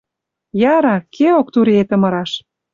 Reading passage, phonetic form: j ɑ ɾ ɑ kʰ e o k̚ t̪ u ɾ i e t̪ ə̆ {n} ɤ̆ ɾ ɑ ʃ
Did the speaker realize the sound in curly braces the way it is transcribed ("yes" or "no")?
no